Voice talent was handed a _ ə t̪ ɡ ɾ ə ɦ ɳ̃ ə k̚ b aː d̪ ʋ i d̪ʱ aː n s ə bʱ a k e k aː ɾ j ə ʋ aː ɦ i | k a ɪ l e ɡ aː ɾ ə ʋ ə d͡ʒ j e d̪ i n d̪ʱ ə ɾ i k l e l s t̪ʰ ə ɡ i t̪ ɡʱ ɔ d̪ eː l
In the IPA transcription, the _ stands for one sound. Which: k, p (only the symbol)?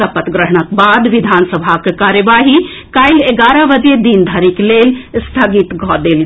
p